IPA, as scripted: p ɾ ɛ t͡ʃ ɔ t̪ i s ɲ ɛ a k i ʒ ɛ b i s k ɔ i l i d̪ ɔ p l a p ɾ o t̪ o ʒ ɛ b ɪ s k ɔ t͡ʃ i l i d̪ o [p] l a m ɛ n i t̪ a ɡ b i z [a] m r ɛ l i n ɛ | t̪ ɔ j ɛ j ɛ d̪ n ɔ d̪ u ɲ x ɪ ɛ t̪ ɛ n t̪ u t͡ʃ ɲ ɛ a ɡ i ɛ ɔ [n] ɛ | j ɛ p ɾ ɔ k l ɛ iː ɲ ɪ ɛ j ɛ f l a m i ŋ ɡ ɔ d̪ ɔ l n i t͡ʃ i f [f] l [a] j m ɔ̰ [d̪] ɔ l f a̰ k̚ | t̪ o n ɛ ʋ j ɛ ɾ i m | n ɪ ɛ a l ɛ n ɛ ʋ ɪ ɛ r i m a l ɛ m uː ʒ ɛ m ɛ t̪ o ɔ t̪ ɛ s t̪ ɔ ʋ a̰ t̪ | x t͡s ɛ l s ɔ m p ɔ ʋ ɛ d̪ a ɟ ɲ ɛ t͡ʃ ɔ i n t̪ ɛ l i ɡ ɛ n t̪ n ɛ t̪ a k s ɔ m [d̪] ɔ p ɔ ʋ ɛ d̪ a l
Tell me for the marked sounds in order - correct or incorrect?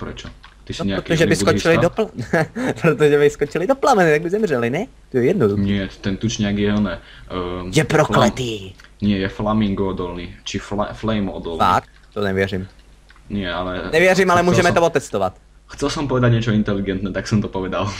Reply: correct, incorrect, correct, correct, incorrect, correct, incorrect

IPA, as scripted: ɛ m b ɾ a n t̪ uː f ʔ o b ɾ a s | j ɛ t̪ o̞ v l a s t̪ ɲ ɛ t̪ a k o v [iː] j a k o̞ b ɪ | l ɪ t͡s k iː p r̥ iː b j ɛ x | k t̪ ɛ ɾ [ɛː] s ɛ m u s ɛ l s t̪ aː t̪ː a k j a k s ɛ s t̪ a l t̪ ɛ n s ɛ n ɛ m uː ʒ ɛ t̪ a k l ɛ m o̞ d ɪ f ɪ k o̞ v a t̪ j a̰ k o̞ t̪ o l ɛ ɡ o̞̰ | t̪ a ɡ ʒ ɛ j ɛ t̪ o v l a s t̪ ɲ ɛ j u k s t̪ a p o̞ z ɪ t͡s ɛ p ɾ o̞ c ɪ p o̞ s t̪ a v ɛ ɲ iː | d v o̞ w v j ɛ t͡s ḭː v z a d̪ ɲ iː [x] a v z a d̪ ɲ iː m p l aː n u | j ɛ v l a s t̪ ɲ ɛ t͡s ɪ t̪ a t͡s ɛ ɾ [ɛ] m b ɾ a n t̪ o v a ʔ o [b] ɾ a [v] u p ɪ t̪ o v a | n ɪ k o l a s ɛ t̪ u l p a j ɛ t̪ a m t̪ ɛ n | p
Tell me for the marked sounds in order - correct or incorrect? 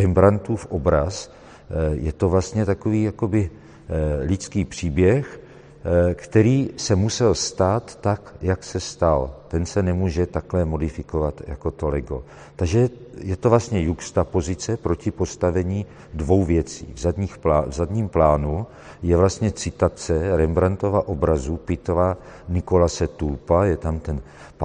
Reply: correct, incorrect, correct, correct, correct, incorrect

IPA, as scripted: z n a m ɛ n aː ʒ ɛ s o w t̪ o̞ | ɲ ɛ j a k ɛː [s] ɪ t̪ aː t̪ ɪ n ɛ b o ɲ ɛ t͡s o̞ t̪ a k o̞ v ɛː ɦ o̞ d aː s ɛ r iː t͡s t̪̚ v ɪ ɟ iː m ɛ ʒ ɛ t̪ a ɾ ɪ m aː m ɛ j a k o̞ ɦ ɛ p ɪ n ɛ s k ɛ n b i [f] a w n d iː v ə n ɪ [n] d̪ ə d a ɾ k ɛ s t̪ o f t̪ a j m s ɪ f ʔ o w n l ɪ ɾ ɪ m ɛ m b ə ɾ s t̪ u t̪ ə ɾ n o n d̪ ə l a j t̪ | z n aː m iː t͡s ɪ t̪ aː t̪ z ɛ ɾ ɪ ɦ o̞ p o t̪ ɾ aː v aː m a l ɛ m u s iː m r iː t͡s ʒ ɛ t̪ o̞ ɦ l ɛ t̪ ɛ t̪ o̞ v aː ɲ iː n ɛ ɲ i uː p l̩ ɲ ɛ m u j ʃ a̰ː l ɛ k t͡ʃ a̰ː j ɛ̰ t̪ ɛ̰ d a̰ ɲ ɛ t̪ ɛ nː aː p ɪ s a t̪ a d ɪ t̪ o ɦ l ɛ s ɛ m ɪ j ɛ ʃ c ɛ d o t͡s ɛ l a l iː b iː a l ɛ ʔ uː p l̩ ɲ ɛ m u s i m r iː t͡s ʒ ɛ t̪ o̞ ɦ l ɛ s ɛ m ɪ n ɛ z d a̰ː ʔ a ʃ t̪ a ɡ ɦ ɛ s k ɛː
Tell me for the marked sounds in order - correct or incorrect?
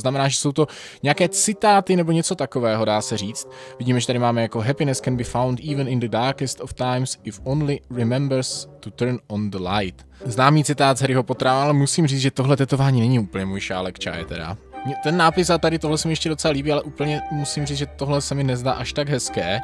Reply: incorrect, correct, correct

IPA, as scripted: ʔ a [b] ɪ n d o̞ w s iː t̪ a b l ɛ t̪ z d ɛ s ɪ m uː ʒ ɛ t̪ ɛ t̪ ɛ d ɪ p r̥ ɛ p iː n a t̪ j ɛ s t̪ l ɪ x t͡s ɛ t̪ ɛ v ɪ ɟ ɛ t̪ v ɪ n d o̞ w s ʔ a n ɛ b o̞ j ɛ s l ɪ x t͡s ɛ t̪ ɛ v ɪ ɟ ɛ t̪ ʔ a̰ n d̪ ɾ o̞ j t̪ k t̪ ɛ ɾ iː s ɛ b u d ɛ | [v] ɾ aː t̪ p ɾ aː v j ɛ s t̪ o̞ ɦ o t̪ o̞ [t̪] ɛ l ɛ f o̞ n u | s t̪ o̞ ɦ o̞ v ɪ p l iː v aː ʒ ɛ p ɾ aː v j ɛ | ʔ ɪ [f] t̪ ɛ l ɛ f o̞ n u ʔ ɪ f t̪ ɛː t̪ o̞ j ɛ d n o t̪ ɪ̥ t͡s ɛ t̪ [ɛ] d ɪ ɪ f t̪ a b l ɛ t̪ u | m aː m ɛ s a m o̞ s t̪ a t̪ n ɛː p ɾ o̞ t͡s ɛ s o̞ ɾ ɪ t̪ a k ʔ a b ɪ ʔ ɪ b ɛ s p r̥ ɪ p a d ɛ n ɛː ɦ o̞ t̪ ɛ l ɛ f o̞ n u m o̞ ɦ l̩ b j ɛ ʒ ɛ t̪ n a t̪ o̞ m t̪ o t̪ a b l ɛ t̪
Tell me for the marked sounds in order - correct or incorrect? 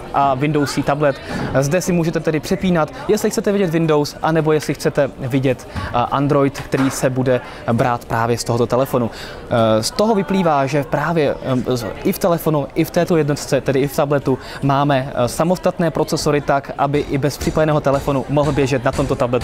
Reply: incorrect, incorrect, correct, correct, correct

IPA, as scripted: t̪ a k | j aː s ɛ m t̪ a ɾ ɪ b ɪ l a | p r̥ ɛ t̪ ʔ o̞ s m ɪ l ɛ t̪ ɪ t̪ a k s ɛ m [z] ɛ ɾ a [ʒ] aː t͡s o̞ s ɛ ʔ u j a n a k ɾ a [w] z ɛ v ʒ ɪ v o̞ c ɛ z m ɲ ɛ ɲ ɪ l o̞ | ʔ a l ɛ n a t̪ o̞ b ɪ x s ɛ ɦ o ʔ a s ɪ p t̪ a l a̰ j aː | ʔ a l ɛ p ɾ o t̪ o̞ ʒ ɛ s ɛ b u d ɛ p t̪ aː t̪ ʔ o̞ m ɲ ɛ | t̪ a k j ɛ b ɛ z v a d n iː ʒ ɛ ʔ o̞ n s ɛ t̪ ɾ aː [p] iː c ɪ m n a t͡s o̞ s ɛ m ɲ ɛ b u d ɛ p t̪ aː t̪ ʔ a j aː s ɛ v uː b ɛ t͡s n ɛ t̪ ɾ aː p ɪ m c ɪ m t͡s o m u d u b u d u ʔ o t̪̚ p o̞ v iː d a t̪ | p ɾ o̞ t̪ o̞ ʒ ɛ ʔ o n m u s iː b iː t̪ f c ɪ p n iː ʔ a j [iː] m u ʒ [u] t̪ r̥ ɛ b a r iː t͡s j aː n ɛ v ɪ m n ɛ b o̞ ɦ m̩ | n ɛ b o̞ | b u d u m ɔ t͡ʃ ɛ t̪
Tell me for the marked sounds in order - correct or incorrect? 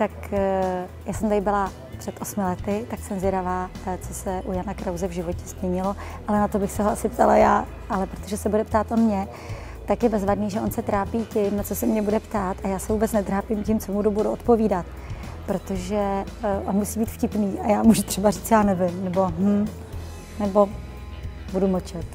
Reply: correct, incorrect, correct, correct, incorrect, correct

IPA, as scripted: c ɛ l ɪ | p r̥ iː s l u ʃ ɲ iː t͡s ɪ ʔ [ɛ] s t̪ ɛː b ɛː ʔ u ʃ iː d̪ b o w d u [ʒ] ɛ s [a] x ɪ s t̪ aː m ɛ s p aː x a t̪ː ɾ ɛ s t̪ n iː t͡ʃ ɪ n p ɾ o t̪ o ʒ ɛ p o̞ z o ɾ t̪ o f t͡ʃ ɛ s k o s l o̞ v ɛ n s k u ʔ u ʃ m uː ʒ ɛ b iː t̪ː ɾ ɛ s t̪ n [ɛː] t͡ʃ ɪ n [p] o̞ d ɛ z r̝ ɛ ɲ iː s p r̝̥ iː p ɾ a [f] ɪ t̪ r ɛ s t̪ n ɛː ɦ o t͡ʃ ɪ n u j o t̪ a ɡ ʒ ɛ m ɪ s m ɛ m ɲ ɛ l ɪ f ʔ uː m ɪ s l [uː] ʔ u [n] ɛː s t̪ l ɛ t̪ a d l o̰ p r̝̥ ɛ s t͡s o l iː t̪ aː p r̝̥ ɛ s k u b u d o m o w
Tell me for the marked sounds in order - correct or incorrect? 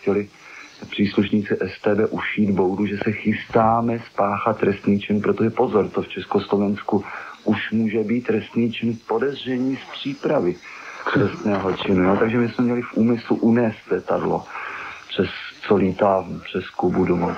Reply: correct, correct, incorrect, incorrect, correct, incorrect, incorrect, correct

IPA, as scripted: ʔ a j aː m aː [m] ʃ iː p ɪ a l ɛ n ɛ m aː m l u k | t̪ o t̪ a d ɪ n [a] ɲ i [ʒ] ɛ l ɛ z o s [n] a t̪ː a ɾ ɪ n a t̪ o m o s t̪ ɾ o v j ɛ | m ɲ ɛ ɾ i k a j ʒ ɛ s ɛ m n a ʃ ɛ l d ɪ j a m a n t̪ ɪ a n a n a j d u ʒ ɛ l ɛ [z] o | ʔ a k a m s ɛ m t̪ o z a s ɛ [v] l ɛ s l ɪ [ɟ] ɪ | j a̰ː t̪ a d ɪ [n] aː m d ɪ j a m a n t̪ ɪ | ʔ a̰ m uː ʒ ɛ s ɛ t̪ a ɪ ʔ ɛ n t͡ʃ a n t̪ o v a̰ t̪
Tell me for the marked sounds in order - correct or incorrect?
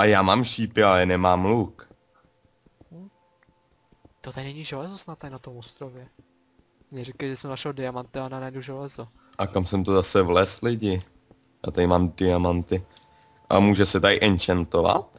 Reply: correct, incorrect, correct, correct, correct, correct, correct, incorrect

